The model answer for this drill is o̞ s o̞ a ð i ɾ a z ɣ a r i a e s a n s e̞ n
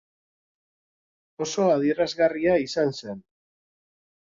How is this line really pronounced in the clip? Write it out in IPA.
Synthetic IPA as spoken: o̞ s o̞ a ð i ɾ a z ɣ a r i a i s a n s e̞ n